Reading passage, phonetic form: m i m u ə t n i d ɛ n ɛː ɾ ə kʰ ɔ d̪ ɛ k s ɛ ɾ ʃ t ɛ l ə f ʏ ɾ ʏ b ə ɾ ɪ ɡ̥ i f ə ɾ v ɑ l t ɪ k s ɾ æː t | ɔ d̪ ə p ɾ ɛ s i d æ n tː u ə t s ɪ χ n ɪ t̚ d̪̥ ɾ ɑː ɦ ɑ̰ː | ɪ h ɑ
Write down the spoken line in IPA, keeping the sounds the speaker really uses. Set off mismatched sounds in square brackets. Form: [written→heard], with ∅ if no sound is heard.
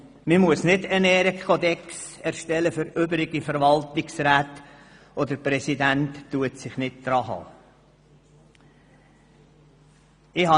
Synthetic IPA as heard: m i m u ə [t→s] n [i→ɪ] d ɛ n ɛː ɾ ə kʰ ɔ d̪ ɛ k s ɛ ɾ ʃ t ɛ l ə f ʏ ɾ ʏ b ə ɾ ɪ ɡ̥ i f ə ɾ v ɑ l t ɪ k s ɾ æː t | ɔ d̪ ə p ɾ ɛ s i d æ n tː u ə t s ɪ χ n ɪ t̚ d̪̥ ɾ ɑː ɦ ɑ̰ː | ɪ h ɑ